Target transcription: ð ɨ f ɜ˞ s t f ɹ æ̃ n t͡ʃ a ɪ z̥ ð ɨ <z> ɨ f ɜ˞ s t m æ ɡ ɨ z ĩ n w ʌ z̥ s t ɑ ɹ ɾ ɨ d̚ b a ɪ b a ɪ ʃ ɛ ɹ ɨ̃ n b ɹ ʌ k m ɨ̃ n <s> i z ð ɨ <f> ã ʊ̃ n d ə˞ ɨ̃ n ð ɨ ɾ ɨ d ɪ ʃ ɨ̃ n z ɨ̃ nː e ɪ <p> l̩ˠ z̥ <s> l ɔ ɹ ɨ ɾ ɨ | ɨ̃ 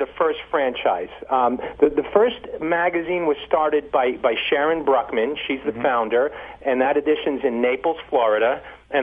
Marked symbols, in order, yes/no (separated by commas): no, no, yes, yes, no